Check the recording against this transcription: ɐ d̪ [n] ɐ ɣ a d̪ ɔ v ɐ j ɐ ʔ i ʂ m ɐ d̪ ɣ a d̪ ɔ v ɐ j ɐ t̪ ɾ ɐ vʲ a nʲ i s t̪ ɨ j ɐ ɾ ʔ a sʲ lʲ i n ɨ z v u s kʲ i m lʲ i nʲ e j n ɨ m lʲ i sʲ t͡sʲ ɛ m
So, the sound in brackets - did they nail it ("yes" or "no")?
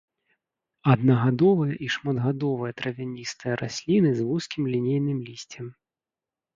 yes